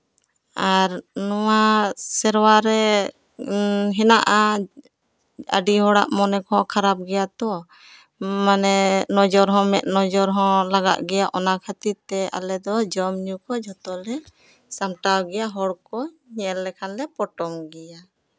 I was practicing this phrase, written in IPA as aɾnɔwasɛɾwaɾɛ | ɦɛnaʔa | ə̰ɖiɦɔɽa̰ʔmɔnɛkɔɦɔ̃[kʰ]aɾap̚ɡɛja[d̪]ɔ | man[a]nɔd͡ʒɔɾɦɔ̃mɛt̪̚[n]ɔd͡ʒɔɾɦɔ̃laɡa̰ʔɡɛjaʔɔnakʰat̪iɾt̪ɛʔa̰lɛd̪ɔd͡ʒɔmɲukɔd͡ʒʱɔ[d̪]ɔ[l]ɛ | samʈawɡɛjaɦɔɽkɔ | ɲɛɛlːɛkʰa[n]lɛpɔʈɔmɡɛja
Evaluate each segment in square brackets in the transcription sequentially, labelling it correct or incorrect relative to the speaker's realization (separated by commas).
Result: correct, incorrect, incorrect, correct, incorrect, correct, correct